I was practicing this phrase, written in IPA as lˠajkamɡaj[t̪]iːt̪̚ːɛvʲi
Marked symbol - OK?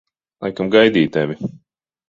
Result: no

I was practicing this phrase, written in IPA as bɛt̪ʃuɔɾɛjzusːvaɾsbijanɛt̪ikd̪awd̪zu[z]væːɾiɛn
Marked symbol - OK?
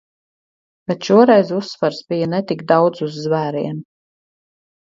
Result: no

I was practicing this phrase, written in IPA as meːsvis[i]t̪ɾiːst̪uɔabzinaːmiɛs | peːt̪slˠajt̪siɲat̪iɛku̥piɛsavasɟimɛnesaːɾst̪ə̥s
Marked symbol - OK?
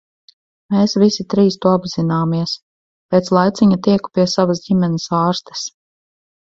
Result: yes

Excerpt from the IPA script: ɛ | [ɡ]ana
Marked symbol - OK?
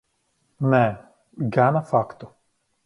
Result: yes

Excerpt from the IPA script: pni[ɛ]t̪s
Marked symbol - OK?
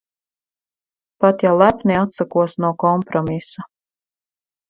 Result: no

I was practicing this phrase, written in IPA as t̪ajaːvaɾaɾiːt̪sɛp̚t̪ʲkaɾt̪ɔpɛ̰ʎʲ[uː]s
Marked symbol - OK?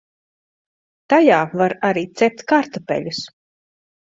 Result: no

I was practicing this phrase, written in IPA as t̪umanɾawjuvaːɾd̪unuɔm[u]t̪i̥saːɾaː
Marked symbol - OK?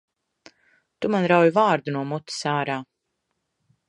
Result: yes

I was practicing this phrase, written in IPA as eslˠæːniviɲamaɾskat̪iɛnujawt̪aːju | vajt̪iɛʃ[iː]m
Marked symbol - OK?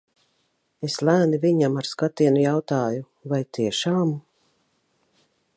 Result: no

